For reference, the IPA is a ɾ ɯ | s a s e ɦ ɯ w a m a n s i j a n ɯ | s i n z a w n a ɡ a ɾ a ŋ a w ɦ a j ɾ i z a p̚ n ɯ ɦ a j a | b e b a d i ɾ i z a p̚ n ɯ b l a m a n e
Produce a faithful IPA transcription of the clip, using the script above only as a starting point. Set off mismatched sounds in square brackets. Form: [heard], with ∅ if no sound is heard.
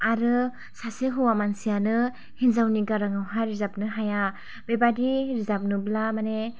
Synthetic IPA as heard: a ɾ ɯ | s a s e ɦ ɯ w a m a n s i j a n ɯ | [h] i n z a w n [i] ɡ a ɾ a ŋ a w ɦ a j ɾ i z a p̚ n ɯ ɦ a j a | b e b a d i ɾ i z a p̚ n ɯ b l a m a n e